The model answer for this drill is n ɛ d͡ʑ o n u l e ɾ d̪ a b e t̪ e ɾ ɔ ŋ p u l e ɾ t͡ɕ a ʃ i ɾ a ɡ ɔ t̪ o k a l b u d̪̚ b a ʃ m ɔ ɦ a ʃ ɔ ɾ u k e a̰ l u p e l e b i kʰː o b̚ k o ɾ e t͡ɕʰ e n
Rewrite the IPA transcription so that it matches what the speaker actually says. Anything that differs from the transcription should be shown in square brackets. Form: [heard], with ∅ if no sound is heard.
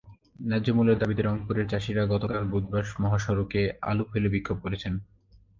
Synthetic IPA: n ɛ d͡ʑ o [m] u l e ɾ d̪ a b [i] t̪ e ɾ ɔ ŋ p u [ɾ] e ɾ t͡ɕ a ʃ i ɾ a ɡ ɔ t̪ o k a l b u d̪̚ b a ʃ m ɔ ɦ a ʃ ɔ ɾ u k e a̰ l u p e l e b i kʰː o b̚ k o ɾ e t͡ɕʰ e n